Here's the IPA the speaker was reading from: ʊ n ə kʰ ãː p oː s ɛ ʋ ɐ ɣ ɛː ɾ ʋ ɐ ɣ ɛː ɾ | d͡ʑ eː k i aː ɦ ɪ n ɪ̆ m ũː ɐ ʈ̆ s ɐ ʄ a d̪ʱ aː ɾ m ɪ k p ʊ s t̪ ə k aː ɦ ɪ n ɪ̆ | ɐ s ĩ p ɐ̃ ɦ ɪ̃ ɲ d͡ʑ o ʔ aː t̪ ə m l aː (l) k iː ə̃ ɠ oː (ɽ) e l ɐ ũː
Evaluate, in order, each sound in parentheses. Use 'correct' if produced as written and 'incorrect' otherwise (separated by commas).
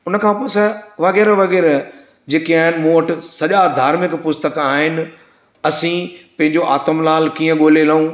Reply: correct, incorrect